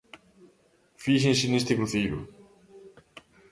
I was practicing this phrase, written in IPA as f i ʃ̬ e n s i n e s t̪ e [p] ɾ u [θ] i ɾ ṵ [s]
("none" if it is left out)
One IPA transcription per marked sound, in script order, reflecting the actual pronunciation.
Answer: k, θ, none

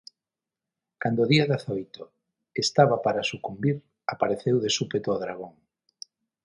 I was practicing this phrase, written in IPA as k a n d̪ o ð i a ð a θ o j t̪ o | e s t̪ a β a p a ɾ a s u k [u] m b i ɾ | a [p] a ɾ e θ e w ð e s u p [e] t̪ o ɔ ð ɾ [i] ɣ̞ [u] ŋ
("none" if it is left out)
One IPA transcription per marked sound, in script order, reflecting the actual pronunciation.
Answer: u, p, e, a, o

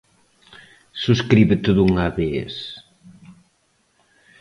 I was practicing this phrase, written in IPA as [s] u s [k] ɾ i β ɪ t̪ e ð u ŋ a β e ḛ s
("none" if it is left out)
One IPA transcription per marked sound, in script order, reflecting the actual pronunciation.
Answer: s, k

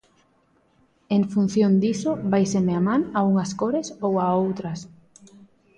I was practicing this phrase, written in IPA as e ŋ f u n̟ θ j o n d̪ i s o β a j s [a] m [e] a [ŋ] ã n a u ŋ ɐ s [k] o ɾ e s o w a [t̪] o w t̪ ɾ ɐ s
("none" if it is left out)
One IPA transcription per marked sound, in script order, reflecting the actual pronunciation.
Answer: e, e, m, k, none

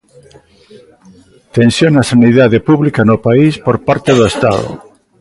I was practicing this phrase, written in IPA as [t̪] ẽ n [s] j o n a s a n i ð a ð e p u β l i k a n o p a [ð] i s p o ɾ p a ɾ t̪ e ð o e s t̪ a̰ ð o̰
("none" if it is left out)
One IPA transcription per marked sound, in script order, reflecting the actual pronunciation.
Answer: t̪, s, none

